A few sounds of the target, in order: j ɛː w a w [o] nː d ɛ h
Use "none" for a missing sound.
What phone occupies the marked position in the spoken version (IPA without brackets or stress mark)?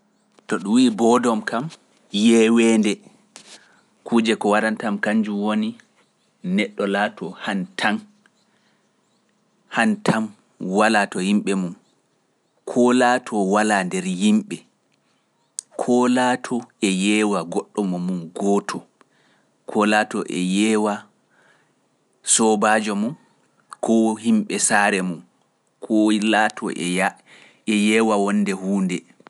ɔ